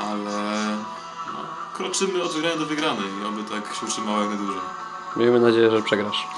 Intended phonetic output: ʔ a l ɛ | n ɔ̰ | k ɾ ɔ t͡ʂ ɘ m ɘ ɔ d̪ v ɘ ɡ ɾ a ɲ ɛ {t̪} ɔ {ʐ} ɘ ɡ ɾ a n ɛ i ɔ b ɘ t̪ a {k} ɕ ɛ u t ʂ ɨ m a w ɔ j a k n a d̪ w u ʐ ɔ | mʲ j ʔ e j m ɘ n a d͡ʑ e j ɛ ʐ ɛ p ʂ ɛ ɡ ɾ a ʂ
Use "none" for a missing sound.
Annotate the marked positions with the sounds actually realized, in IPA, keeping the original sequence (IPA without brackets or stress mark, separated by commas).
d̪, v, k